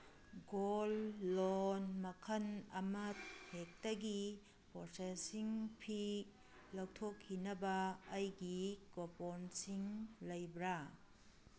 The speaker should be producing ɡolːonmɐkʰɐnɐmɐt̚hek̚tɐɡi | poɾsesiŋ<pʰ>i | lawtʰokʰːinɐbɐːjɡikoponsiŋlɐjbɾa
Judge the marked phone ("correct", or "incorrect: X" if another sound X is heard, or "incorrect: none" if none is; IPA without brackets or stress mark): correct